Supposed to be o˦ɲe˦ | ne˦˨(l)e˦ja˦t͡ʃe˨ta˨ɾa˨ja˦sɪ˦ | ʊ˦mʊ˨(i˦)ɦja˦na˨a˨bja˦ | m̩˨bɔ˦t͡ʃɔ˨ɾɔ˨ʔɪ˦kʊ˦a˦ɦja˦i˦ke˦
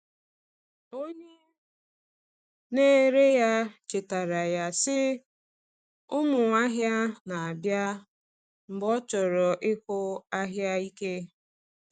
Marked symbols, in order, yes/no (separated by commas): no, no